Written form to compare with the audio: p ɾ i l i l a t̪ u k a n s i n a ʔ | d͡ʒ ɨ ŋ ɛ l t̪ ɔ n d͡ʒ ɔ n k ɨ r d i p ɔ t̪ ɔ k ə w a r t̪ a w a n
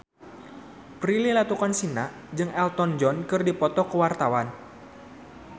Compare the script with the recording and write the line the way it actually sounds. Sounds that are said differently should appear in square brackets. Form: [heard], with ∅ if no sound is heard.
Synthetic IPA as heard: p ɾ i l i l a t̪ u k a n s i n a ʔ | d͡ʒ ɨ ŋ ɛ l t̪ ɔ n d͡ʒ ɔ n k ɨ r d i p ɔ t̪ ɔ k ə w a r t̪ a w a n